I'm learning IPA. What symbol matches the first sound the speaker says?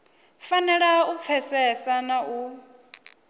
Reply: f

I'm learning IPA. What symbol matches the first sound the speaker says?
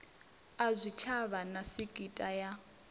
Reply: a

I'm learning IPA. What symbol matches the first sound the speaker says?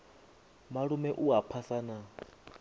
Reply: m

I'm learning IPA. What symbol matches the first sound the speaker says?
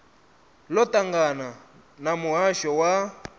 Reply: l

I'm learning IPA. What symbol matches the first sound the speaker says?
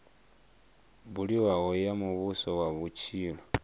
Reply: β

